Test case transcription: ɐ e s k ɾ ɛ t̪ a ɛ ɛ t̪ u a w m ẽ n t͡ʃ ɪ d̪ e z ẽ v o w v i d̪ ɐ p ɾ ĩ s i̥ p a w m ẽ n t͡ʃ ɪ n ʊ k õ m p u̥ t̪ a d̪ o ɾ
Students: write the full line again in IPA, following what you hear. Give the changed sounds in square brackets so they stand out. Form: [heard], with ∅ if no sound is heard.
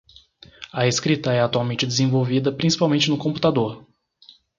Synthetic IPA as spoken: ɐ e s k ɾ [i] t̪ [ɐ] ɛ [a] t̪ u a w m ẽ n t͡ʃ ɪ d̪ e z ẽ v o w v i d̪ ɐ p ɾ ĩ s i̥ p a w m ẽ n t͡ʃ ɪ n ʊ k õ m p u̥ t̪ a d̪ o ɾ